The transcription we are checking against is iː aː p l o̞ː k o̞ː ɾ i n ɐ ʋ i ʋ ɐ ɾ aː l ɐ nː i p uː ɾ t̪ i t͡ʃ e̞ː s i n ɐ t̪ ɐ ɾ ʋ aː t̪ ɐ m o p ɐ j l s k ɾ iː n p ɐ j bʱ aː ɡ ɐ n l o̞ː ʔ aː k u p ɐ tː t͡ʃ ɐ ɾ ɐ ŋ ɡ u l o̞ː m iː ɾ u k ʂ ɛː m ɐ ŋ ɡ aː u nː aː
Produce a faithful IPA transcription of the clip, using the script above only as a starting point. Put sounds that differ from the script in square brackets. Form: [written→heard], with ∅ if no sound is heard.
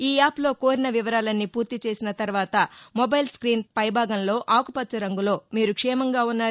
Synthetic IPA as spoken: iː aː p l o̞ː k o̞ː ɾ i n ɐ ʋ i ʋ ɐ ɾ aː l ɐ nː i p uː ɾ t̪ i t͡ʃ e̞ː s i n ɐ t̪ ɐ ɾ ʋ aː t̪ ɐ m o [p→b] ɐ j l s k ɾ iː n p ɐ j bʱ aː ɡ ɐ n l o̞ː ʔ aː k u p ɐ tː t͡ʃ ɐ ɾ ɐ ŋ ɡ u l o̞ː m iː ɾ u k ʂ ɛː m ɐ ŋ ɡ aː u nː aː

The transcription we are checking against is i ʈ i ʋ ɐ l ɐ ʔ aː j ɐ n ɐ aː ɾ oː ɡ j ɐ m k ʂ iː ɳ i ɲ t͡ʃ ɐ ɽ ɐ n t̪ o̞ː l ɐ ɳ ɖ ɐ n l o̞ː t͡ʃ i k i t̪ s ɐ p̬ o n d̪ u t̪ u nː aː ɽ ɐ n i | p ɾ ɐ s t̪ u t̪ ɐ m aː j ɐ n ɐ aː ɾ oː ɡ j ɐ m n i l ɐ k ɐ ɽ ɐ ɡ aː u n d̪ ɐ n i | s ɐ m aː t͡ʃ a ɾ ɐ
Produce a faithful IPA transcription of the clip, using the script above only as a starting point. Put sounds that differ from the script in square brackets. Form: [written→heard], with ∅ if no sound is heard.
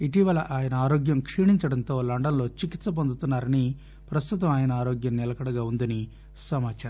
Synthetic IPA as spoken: i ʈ i ʋ ɐ l ɐ ʔ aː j ɐ n ɐ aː ɾ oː ɡ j ɐ m k ʂ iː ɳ i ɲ t͡ʃ ɐ ɽ ɐ n t̪ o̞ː l ɐ ɳ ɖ ɐ n l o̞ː t͡ʃ i k i t̪ s ɐ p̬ o n d̪ u t̪ u nː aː [ɽ→ɾ] ɐ n i | p ɾ ɐ s t̪ u t̪ ɐ m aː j ɐ n ɐ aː ɾ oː ɡ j ɐ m n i l ɐ k ɐ ɽ ɐ ɡ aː u n d̪ ɐ n i | s ɐ m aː t͡ʃ a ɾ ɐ

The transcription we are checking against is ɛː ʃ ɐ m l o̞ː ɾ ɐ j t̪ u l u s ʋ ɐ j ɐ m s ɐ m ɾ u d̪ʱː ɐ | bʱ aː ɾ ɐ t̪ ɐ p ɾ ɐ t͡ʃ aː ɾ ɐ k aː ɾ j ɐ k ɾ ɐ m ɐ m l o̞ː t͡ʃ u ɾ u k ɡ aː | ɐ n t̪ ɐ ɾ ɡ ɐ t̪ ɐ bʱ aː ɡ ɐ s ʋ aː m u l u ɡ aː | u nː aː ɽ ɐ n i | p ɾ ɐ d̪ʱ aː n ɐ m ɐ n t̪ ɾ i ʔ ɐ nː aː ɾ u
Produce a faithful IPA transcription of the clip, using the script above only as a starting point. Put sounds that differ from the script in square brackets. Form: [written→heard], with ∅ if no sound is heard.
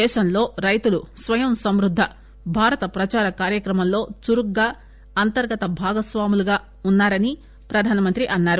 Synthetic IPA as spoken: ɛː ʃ ɐ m l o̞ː ɾ ɐ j t̪ u l u s ʋ ɐ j ɐ m s ɐ m ɾ u d̪ʱː ɐ | bʱ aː ɾ ɐ t̪ ɐ p ɾ ɐ t͡ʃ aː ɾ ɐ k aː ɾ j ɐ k ɾ ɐ m ɐ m l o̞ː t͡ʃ u ɾ u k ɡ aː | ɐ n t̪ ɐ ɾ ɡ ɐ t̪ ɐ bʱ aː ɡ ɐ s ʋ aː m u l u ɡ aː | u nː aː [ɽ→ɾ] ɐ n i | p ɾ ɐ d̪ʱ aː n ɐ m ɐ n t̪ ɾ i ʔ ɐ nː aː ɾ u

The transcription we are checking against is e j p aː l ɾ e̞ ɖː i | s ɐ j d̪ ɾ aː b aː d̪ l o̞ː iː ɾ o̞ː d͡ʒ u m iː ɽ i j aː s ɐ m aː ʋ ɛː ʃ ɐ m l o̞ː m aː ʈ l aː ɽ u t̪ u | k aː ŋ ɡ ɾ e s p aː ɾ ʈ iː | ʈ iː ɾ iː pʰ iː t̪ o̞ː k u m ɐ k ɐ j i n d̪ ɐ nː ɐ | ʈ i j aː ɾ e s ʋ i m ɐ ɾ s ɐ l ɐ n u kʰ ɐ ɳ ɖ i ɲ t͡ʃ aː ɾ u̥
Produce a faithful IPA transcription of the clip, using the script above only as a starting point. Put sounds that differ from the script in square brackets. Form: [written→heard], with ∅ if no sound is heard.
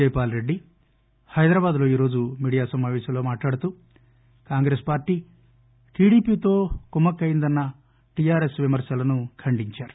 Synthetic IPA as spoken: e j p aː l ɾ e̞ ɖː i | [s→h] ɐ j d̪ ɾ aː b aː d̪ l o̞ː iː ɾ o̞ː d͡ʒ u m iː ɽ i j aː s ɐ m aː ʋ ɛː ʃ ɐ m l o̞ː m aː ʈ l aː ɽ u t̪ u | k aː ŋ ɡ ɾ e s p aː ɾ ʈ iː | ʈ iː [ɾ→ɽ] iː [pʰ→p] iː t̪ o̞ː k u m ɐ k ɐ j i n d̪ ɐ nː ɐ | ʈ i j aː ɾ e s ʋ i m ɐ ɾ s ɐ l ɐ n u kʰ ɐ ɳ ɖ i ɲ t͡ʃ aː ɾ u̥

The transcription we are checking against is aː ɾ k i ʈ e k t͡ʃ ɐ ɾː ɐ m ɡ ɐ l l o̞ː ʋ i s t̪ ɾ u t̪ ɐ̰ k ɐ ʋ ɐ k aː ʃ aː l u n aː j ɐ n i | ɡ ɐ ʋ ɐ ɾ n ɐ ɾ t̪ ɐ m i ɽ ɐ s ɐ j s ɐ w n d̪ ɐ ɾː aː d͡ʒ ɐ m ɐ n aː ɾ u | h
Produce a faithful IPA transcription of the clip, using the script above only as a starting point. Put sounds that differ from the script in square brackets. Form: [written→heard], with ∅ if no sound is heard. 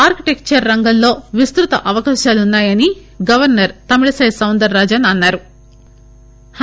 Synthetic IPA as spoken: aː ɾ k i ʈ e k t͡ʃ ɐ ɾː ɐ [m→ŋ] ɡ ɐ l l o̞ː ʋ i s t̪ ɾ u t̪ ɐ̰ [k→ʔ] ɐ ʋ ɐ k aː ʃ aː l u [n→nː] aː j ɐ n i | ɡ ɐ ʋ ɐ ɾ n ɐ ɾ t̪ ɐ m i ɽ ɐ s ɐ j s ɐ w n d̪ ɐ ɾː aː d͡ʒ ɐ [m→n] ɐ [n→nː] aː ɾ u | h

